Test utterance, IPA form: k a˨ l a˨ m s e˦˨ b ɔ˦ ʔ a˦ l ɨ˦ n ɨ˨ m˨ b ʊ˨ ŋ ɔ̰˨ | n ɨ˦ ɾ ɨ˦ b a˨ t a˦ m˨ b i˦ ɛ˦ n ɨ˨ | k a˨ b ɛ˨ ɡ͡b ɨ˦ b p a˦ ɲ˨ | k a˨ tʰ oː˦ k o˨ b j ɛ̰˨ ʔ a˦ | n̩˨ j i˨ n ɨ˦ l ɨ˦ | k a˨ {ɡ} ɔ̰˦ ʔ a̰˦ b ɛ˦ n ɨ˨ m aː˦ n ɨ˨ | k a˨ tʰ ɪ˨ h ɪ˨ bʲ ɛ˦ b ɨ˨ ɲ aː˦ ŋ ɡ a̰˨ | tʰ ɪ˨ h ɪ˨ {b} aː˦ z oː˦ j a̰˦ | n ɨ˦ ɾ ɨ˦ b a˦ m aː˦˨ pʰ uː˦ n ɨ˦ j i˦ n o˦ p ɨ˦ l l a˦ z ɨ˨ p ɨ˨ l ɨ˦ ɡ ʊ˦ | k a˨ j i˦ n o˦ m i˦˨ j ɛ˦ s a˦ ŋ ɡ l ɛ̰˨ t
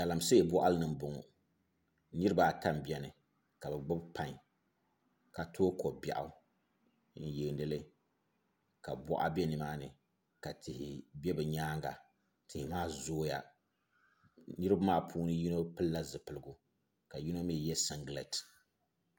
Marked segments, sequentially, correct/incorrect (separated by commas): incorrect, incorrect